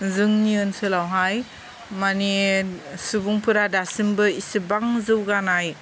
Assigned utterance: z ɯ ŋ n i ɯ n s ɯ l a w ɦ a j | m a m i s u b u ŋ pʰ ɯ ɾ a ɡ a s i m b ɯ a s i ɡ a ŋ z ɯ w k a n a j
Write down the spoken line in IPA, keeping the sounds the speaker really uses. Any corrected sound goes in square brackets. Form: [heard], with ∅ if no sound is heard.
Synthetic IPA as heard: z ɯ ŋ n i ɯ n s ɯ l a w ɦ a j | m a [n] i s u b u ŋ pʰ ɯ ɾ a [d] a s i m b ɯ [i] s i [b] a ŋ z ɯ w [ɡ] a n a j